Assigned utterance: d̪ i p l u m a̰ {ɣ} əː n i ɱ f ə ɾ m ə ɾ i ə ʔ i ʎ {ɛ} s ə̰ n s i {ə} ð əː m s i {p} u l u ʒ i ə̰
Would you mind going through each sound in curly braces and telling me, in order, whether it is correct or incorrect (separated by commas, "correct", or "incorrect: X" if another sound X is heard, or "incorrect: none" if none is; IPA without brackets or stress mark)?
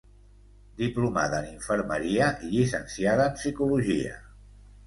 incorrect: ð, incorrect: i, incorrect: a, incorrect: k